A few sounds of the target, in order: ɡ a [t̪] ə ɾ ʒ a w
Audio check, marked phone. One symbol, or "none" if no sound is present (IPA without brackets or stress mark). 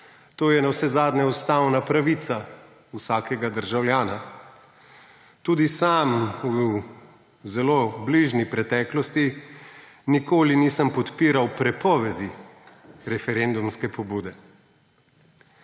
d̪